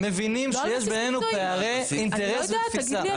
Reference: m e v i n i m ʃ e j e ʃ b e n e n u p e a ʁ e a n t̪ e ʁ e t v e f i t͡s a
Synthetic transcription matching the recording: m e v i n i m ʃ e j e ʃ b e n e n u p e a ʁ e i n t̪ e ʁ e s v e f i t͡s a